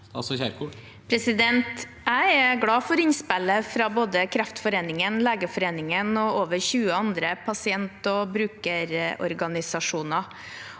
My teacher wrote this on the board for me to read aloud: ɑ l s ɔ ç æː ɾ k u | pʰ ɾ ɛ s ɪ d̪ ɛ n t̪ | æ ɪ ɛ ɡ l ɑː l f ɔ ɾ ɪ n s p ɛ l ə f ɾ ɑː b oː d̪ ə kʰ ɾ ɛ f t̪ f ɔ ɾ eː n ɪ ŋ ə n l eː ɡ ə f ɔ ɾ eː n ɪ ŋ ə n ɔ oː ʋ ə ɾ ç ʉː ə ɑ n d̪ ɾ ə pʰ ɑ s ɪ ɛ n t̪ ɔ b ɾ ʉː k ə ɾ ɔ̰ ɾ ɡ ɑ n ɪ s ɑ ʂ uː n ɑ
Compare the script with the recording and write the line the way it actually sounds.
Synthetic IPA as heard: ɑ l s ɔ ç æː ɾ k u | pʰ ɾ ɛ s ɪ d̪ ɛ n t̪ | æ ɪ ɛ ɡ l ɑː f ɔ ɾ ɪ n s p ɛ l ə f ɾ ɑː b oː d̪ ə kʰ ɾ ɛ f t̪ f ɔ ɾ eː n ɪ ŋ ə n l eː ɡ ə f ɔ ɾ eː n ɪ ŋ ə n ɔ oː ʋ ə ɾ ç ʉː ə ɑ n d̪ ɾ ə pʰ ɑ s ɪ ɛ n t̪ ɔ b ɾ ʉː k ə ɾ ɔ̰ ɾ ɡ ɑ n ɪ s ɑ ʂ uː n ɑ